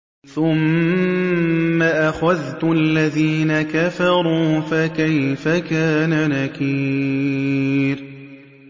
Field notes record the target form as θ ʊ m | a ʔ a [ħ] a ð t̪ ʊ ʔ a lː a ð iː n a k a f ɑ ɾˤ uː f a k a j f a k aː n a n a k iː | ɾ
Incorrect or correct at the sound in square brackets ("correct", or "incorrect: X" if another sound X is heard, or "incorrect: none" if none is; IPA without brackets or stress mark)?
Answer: incorrect: x